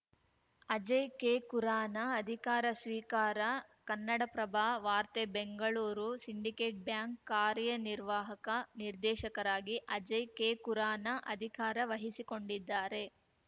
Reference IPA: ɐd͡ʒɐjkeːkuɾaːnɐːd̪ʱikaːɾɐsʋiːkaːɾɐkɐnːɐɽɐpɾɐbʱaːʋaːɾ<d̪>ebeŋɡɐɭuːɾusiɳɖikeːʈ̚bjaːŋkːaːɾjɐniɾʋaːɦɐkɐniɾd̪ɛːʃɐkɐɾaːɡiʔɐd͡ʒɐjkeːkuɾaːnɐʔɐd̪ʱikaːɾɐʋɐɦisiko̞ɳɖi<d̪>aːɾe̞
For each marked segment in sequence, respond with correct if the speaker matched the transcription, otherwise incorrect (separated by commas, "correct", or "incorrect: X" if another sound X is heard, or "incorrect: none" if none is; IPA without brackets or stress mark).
incorrect: t̪, incorrect: d̪ː